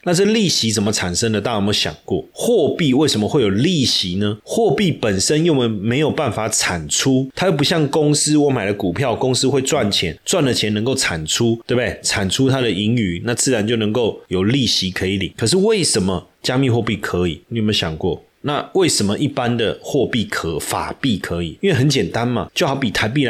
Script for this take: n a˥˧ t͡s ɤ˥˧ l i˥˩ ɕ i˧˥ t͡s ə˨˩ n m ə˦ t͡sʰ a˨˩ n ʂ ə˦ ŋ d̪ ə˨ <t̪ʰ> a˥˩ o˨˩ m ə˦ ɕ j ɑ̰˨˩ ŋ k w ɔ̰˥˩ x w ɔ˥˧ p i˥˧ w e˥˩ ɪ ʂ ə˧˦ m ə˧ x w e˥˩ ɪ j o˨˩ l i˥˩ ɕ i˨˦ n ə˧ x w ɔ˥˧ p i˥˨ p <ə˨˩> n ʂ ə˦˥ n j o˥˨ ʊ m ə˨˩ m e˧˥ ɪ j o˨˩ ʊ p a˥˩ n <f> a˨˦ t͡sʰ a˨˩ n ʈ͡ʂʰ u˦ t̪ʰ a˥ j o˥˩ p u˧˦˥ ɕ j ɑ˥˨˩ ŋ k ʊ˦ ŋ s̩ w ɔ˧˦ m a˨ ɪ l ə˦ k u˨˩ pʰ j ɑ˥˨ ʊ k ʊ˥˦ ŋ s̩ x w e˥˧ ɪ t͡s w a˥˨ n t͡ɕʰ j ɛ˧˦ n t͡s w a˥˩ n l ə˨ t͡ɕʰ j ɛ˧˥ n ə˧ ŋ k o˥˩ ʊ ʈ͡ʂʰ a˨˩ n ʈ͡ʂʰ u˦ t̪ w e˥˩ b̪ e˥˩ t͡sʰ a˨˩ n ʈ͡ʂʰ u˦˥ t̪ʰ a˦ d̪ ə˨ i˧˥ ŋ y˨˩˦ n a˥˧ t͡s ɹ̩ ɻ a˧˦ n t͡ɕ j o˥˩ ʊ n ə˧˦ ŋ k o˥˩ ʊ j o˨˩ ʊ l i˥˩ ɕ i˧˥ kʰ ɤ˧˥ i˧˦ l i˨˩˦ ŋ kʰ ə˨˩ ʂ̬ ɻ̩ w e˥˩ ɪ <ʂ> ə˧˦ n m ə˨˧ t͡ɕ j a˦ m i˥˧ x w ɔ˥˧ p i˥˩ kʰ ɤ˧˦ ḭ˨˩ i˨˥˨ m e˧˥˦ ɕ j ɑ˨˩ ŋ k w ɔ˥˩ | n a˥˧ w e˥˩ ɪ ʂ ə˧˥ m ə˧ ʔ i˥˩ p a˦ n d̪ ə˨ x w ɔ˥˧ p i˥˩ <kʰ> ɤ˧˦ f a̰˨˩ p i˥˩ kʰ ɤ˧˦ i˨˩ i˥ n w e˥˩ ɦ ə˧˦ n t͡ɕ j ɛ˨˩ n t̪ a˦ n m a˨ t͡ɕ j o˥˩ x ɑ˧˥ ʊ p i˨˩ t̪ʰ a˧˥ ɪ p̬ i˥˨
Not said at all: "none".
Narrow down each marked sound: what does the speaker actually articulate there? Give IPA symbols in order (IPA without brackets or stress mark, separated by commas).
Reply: t̪, ə˨˩, f, ʂ, kʰ